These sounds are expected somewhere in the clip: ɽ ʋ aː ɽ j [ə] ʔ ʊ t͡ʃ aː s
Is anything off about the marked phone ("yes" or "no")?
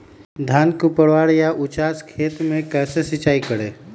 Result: yes